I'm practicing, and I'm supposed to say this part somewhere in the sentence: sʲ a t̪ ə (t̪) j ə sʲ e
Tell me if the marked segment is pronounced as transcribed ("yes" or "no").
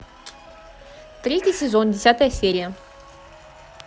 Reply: no